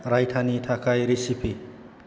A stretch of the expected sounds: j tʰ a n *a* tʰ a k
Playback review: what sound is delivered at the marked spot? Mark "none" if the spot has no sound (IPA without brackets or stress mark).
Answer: i